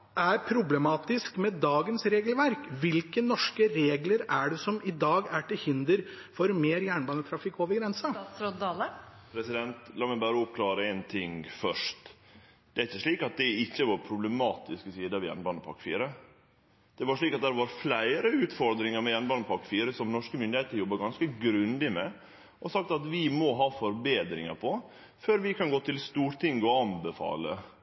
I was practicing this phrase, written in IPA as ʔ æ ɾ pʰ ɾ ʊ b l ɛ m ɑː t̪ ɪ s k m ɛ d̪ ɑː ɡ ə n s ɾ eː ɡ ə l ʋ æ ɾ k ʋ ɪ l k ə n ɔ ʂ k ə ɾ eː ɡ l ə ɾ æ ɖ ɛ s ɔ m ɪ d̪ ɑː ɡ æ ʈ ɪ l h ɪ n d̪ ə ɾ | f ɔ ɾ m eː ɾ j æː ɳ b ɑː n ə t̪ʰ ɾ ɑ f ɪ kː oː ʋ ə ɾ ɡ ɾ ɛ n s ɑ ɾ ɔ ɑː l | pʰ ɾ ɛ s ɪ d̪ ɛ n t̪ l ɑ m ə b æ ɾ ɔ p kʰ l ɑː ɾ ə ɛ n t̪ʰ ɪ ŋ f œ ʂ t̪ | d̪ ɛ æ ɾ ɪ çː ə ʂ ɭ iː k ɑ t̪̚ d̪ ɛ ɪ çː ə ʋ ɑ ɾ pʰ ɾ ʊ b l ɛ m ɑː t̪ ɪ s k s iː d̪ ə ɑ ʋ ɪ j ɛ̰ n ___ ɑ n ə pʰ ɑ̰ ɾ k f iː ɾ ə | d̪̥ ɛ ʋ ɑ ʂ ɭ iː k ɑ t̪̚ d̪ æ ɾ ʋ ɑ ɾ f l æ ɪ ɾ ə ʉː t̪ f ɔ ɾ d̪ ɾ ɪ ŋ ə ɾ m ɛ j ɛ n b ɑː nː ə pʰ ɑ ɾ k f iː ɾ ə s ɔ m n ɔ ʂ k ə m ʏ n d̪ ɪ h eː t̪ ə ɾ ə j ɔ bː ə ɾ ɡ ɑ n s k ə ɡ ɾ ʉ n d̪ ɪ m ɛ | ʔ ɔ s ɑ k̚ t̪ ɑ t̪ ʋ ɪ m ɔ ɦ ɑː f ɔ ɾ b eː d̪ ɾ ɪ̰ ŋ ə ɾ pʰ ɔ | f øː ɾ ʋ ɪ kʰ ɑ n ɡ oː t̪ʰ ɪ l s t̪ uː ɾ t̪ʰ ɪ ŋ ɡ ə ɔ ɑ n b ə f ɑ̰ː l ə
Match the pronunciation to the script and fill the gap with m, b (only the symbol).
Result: b